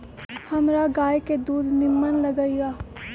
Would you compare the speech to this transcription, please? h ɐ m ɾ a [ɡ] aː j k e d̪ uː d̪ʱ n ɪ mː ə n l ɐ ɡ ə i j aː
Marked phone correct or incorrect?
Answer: correct